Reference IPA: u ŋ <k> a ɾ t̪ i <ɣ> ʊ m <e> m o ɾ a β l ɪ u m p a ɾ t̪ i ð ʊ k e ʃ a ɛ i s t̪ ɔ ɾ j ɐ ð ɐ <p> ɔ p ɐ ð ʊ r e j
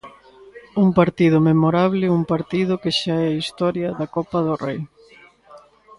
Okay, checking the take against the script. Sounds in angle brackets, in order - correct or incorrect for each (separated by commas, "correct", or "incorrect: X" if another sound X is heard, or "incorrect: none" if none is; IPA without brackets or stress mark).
incorrect: p, incorrect: ð, correct, incorrect: k